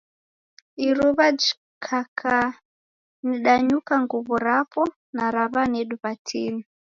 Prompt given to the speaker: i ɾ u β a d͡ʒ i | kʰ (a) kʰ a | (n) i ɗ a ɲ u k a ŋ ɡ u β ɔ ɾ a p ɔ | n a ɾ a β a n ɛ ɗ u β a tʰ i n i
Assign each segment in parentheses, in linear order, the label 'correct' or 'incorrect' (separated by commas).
correct, correct